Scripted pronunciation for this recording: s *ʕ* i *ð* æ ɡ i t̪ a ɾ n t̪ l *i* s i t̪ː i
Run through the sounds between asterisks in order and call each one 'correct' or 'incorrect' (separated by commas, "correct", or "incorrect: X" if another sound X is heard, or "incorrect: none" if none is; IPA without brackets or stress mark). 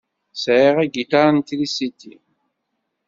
correct, incorrect: ʁ, correct